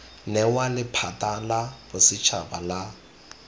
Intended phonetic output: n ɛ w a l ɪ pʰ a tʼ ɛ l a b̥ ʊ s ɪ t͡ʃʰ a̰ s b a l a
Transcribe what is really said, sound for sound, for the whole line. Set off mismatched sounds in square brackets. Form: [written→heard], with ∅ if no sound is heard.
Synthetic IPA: n ɛ w a l ɪ pʰ a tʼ [ɛ→a] l a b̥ ʊ s ɪ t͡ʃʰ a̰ [s→∅] b a l a